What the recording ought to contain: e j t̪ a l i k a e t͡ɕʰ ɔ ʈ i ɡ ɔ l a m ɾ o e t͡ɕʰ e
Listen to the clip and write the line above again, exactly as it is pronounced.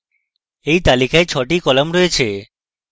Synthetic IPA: e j t̪ a l i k a e t͡ɕʰ ɔ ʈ i k ɔ l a m ɾ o e t͡ɕʰ e